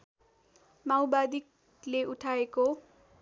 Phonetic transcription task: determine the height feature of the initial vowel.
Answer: low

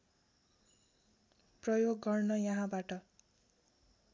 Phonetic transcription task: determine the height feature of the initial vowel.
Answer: mid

